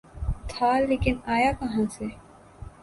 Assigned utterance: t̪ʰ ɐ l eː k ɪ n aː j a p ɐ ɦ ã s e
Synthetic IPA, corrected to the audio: t̪ʰ a l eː k ɪ n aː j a k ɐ ɦ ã s e